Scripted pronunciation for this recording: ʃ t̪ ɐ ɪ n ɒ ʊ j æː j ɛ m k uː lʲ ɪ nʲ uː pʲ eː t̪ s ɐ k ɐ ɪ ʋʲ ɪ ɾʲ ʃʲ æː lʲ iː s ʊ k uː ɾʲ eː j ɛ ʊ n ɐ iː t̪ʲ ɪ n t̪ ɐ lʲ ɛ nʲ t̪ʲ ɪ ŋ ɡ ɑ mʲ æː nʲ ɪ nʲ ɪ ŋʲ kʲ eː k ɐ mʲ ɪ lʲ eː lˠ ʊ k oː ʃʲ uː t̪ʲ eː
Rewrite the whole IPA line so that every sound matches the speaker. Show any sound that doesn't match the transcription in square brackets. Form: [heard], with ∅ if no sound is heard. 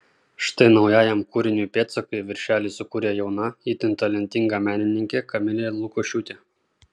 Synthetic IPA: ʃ t̪ ɐ ɪ n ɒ ʊ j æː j ɛ m k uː [ɾʲ] ɪ nʲ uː pʲ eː t̪ s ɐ k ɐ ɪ ʋʲ ɪ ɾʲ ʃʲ æː lʲ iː s ʊ k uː ɾʲ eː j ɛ ʊ n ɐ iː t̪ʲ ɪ n t̪ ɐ lʲ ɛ nʲ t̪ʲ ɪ ŋ ɡ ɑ mʲ æː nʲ ɪ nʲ ɪ ŋʲ kʲ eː k ɐ mʲ ɪ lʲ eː lˠ ʊ k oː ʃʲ uː t̪ʲ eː